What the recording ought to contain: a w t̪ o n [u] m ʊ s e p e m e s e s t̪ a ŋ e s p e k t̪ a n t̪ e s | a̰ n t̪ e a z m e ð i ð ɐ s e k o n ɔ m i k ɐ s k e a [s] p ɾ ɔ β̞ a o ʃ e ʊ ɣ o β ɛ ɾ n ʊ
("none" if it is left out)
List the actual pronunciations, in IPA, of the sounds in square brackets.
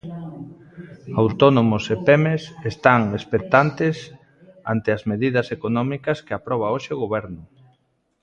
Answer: o, none

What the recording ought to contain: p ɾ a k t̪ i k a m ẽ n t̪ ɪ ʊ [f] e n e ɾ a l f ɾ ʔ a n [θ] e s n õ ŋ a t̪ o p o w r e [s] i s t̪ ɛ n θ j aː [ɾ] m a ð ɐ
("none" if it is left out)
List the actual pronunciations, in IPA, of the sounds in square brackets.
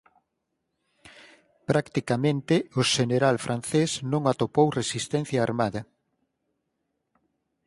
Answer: ʃ, θ, s, ɾ

